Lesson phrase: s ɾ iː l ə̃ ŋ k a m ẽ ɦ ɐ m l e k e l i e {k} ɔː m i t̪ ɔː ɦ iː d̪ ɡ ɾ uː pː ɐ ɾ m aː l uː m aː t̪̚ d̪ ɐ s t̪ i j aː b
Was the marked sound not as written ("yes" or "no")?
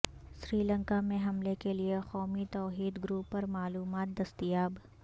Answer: yes